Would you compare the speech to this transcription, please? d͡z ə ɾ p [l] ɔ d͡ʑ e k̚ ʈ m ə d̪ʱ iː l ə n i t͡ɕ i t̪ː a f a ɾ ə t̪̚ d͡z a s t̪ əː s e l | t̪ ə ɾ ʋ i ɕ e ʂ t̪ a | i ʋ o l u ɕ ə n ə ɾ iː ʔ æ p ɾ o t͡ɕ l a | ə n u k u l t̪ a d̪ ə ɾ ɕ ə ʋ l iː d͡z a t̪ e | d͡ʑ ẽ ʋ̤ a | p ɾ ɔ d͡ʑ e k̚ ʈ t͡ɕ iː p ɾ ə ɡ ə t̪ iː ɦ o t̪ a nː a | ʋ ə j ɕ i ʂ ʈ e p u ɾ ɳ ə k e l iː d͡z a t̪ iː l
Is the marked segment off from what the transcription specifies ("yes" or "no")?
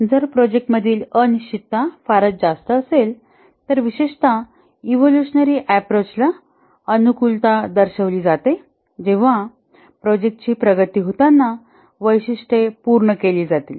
yes